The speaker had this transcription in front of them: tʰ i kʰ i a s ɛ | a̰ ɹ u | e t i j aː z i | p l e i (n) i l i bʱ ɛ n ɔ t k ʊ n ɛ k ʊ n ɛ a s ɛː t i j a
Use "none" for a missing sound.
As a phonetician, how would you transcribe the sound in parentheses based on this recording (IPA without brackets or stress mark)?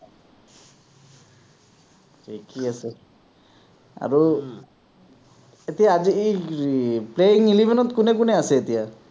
ŋ